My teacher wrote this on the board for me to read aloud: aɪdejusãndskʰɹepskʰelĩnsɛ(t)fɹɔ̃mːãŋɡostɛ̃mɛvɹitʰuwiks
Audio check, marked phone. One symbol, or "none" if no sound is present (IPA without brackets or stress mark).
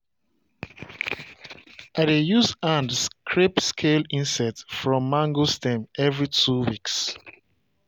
t